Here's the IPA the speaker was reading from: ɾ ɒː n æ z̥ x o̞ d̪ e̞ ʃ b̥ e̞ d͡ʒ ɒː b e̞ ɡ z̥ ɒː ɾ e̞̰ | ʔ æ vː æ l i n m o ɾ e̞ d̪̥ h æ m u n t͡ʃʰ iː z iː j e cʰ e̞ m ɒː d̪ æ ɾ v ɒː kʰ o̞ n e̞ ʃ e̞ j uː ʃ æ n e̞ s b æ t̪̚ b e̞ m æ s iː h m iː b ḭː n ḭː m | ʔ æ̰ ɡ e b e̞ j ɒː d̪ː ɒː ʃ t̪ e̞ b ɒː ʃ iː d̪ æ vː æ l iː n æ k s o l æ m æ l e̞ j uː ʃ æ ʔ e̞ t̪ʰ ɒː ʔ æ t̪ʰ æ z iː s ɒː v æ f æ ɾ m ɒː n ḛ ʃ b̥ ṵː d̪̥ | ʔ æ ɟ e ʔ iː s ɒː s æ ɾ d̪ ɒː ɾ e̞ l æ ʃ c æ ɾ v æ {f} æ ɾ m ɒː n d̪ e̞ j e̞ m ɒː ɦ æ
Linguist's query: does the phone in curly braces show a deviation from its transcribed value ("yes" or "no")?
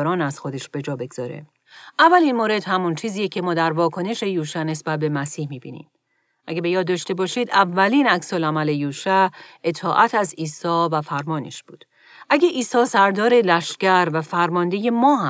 no